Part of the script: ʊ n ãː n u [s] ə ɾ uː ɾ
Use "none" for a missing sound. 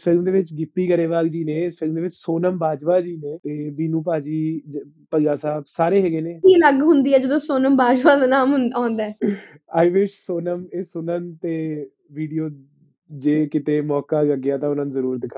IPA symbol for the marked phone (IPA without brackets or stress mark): z